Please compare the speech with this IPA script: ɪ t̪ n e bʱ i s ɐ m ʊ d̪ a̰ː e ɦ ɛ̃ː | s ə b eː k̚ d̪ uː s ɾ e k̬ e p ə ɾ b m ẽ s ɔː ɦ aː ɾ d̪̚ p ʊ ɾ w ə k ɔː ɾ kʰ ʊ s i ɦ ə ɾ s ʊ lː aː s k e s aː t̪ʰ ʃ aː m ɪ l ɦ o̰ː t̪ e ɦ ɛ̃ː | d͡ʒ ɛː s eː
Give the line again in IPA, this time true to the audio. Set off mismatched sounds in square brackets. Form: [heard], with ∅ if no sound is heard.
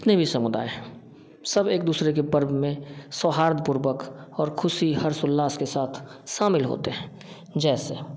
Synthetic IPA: ɪ t̪ n e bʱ i s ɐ m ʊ d̪ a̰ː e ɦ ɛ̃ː | s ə b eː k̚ d̪ uː s ɾ e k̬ e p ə ɾ b m ẽ s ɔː ɦ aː ɾ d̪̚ p ʊ ɾ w ə k ɔː ɾ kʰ ʊ s i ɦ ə ɾ s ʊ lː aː s k e s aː t̪ʰ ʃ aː m ɪ l ɦ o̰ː t̪ e ɦ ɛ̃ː | d͡ʒ ɛː s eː